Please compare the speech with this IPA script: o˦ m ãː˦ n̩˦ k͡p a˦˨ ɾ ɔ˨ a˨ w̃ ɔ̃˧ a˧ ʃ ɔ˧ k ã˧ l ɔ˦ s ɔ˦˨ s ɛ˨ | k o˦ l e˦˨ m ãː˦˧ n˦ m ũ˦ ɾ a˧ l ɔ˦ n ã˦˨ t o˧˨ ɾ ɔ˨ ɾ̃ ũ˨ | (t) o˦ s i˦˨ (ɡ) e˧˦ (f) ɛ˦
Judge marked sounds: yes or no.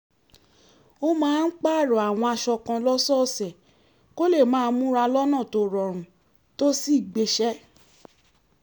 yes, no, no

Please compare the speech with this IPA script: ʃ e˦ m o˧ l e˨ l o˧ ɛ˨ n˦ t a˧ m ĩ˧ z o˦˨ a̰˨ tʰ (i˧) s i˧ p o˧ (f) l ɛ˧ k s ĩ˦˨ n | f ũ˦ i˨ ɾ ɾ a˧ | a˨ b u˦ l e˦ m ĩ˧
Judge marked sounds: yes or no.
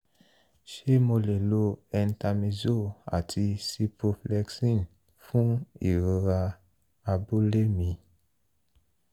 yes, yes

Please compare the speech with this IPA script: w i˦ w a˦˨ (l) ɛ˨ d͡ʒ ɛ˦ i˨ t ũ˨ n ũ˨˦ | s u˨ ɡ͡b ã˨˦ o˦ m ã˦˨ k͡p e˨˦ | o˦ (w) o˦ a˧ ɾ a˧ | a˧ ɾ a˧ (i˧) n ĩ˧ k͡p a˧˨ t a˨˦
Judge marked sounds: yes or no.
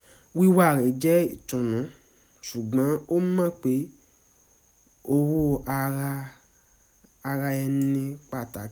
no, yes, no

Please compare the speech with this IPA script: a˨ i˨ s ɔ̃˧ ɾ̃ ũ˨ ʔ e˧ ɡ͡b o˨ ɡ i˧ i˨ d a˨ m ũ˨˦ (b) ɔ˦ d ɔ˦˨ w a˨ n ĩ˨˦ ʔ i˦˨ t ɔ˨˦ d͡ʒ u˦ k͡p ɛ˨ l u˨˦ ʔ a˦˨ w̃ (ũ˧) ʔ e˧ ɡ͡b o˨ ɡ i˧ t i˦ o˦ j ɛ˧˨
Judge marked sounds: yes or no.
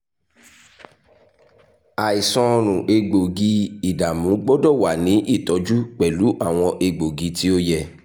no, no

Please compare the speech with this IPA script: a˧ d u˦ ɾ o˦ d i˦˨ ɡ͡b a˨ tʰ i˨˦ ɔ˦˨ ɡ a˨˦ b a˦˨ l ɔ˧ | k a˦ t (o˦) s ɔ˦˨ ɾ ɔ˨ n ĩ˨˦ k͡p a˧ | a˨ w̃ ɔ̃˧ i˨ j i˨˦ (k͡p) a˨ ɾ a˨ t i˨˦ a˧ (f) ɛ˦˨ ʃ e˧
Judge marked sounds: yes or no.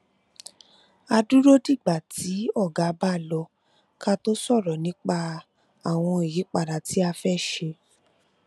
yes, yes, yes

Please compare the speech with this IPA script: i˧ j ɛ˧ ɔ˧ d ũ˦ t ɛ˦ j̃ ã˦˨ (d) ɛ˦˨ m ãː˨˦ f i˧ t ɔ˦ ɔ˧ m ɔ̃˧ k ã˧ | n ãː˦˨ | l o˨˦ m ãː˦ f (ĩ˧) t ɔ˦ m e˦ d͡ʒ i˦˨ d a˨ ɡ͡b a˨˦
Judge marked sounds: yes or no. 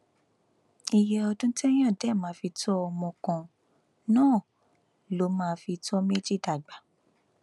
yes, no

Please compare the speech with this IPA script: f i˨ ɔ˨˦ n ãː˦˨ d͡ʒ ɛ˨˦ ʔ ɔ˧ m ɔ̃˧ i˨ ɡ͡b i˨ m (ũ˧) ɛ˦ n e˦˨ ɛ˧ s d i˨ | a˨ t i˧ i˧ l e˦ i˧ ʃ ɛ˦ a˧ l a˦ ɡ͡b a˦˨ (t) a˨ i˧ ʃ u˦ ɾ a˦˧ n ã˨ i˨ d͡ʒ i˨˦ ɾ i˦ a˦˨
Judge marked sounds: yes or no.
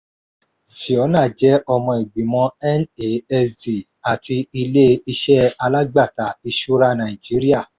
no, yes

